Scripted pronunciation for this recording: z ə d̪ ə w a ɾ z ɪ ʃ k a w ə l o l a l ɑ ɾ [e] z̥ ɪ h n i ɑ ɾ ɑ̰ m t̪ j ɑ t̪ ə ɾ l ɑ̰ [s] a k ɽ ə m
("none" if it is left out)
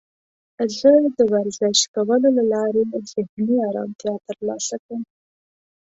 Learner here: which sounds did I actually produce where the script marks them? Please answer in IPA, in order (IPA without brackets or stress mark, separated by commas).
e, s